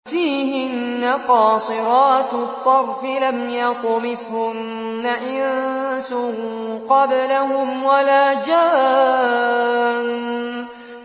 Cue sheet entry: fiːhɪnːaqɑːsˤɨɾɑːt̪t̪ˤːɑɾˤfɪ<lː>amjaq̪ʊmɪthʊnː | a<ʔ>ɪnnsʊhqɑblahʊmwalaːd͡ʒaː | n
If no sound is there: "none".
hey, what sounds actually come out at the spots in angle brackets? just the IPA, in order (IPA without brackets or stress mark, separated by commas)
l, ʔ